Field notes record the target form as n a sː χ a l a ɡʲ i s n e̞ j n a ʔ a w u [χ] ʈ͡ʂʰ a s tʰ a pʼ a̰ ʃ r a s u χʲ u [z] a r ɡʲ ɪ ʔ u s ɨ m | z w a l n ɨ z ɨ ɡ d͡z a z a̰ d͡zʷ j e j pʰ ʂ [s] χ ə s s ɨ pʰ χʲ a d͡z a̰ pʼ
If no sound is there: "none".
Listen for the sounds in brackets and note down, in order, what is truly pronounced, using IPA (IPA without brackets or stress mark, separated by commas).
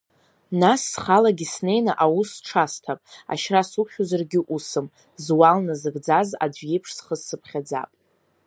s, z, s